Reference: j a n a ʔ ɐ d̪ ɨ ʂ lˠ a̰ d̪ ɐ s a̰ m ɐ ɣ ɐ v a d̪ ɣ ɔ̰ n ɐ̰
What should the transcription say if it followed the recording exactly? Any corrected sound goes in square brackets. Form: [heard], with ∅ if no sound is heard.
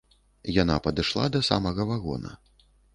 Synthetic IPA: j a n a [p] ɐ d̪ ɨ ʂ lˠ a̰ d̪ ɐ s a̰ m ɐ ɣ ɐ v a [∅] ɣ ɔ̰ n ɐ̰

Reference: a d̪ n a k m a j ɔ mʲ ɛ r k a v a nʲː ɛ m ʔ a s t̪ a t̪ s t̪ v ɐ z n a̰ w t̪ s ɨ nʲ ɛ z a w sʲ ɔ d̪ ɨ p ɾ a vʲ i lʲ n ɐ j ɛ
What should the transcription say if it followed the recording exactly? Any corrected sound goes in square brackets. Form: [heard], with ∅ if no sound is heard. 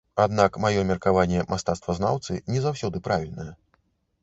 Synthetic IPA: a d̪ n a k m a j ɔ mʲ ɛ r k a v a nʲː ɛ m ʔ a s t̪ a t̪ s t̪ v ɐ z n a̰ w t̪ s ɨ nʲ ɛ z a w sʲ ɔ d̪ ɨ p ɾ a vʲ i lʲ n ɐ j ɛ

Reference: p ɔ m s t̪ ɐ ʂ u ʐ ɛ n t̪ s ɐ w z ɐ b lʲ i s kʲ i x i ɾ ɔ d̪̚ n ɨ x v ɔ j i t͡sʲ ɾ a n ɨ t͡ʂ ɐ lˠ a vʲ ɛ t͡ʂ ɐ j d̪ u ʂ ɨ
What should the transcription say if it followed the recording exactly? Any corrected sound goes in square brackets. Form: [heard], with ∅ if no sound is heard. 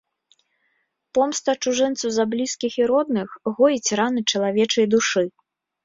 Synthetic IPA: p ɔ m s t̪ ɐ [t͡ʂ] u ʐ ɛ n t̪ s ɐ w z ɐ b lʲ i s kʲ i x i ɾ ɔ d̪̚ n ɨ x [ɣ] ɔ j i t͡sʲ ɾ a n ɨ t͡ʂ ɐ lˠ a vʲ ɛ t͡ʂ ɐ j d̪ u ʂ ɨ

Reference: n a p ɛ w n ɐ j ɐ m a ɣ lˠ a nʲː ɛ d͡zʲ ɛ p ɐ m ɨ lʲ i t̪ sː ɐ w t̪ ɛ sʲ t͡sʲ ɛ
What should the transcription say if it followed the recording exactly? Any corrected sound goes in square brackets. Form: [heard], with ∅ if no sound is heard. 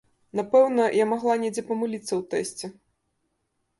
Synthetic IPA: n a p ɛ w n ɐ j [a] m a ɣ lˠ a [nʲ] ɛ d͡zʲ ɛ p ɐ m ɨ lʲ i t̪ sː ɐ w t̪ ɛ sʲ t͡sʲ ɛ

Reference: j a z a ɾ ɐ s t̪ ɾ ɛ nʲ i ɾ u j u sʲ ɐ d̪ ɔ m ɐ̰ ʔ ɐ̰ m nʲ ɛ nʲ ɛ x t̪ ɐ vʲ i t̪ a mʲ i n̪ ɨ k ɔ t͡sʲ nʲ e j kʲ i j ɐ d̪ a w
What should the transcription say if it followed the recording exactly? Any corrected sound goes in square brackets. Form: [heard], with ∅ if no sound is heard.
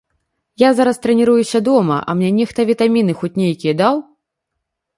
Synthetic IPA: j a z a ɾ ɐ s t̪ ɾ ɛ nʲ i ɾ u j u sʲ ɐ d̪ ɔ m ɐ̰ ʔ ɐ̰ m nʲ ɛ nʲ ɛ x t̪ ɐ vʲ i t̪ a mʲ i n̪ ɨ [x] ɔ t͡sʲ nʲ e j kʲ i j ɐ d̪ a w

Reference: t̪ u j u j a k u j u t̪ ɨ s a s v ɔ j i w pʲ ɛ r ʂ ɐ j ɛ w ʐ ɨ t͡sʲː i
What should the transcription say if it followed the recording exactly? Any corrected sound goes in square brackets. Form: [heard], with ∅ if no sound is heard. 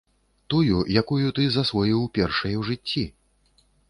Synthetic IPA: t̪ u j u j a k u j u t̪ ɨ [z] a s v ɔ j i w pʲ ɛ r ʂ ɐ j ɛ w ʐ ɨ t͡sʲː i

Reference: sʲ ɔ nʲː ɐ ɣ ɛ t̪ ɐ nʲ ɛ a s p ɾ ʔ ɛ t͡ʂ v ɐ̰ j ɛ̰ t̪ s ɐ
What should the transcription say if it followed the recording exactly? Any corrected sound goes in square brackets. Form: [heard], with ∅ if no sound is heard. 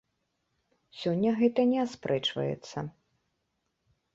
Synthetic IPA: sʲ ɔ nʲː ɐ ɣ ɛ t̪ ɐ nʲ ɛ a s p ɾ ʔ ɛ t͡ʂ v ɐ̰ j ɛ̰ t̪ [sː] ɐ

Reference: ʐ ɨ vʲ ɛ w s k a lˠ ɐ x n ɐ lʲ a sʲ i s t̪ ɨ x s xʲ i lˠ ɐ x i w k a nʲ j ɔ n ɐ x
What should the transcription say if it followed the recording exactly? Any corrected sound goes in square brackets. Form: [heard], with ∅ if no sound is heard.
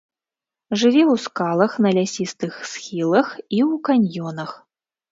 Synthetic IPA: ʐ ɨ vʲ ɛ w s k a lˠ ɐ x n ɐ lʲ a sʲ i s t̪ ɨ x s xʲ i lˠ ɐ x i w k a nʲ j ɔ n ɐ x

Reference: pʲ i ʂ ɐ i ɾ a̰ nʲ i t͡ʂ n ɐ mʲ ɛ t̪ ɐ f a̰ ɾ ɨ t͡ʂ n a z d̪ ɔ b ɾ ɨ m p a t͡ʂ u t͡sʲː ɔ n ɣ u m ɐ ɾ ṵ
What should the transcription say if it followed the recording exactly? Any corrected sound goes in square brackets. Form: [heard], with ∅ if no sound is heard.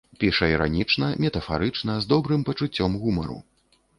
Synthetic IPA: pʲ i ʂ ɐ i ɾ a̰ nʲ i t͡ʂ n ɐ mʲ ɛ t̪ ɐ f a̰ ɾ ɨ t͡ʂ n [ɐ] z d̪ ɔ b ɾ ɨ m p [ɐ] t͡ʂ u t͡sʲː ɔ [m] ɣ u m ɐ ɾ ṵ

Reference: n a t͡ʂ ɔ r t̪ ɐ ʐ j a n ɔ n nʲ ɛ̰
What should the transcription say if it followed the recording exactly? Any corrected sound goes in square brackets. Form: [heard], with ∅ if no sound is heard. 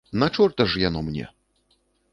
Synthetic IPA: n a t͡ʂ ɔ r t̪ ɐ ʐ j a n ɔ [m] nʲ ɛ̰

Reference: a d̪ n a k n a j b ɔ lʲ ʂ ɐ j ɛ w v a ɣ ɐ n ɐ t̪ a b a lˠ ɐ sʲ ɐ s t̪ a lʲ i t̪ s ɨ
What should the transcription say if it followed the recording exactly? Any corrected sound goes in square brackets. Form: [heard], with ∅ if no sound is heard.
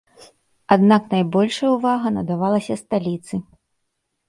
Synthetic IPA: a d̪ n a k n a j b ɔ lʲ ʂ ɐ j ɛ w v a ɣ ɐ n ɐ [d̪] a [v] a lˠ ɐ sʲ ɐ s t̪ a lʲ i t̪ s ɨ

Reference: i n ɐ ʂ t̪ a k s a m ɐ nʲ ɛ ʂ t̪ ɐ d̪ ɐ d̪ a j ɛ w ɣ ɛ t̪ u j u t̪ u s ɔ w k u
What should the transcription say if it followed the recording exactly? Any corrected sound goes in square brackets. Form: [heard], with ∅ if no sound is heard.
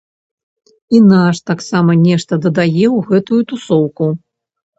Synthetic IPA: i n [a] ʂ t̪ a k s a m ɐ nʲ ɛ ʂ t̪ ɐ d̪ ɐ d̪ a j ɛ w ɣ ɛ t̪ u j u t̪ u s ɔ w k u

